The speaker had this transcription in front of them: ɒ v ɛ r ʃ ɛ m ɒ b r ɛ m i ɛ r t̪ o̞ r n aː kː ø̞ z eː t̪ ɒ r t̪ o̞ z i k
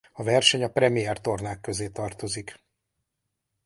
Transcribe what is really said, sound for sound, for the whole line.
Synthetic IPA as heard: ɒ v ɛ r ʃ ɛ ɲ ɒ p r ɛ m i ɛ r t̪ o̞ r n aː kː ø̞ z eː t̪ ɒ r t̪ o̞ z i k